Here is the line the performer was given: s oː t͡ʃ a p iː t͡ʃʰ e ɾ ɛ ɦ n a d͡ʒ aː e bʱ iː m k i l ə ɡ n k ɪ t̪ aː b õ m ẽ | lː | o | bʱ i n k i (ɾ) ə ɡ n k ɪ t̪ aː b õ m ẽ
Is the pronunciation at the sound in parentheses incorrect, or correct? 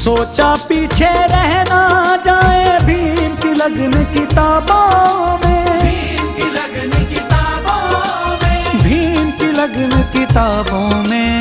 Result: incorrect